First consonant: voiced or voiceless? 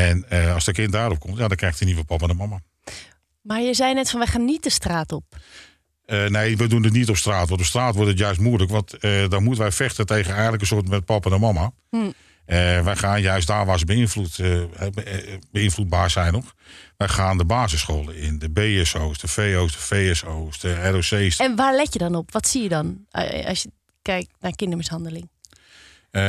voiced